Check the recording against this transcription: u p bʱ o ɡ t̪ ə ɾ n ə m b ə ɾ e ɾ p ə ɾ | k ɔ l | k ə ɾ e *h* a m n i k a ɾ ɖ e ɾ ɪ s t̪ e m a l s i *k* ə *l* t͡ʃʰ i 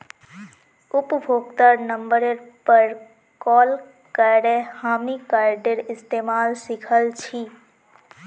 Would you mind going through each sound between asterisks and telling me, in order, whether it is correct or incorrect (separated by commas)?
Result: correct, incorrect, correct